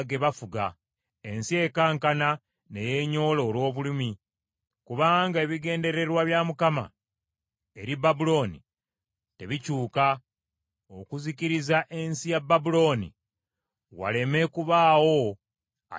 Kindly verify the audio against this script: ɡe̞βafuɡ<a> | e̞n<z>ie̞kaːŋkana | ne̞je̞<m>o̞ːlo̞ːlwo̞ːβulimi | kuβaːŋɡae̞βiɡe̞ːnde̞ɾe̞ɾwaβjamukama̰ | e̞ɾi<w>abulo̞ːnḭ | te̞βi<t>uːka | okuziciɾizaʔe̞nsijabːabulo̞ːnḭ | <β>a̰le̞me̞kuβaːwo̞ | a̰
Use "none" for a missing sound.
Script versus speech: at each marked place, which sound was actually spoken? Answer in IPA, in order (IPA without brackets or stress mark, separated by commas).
a, s, ɲ, b, c, w